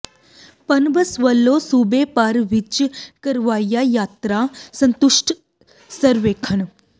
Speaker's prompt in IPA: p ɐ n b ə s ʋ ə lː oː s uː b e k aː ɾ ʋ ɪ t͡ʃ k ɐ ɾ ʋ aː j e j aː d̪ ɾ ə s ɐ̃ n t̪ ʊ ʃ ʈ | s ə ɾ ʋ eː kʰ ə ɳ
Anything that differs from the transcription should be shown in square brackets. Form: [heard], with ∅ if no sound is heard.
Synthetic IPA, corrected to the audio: p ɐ n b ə s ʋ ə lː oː s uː b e [p] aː ɾ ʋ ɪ t͡ʃ k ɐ ɾ ʋ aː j [a] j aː [t̪] ɾ [a] s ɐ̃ n t̪ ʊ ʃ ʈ | s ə ɾ ʋ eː kʰ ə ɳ